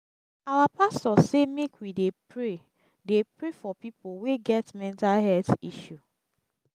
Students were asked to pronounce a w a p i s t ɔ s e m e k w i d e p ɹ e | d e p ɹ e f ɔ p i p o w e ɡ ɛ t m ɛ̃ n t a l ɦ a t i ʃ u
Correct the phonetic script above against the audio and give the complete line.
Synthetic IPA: a w a p a s t ɔ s e m e k w i d e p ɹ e | d e p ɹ e f ɔ p i p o w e ɡ ɛ t m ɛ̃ n t a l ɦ ɛ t i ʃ u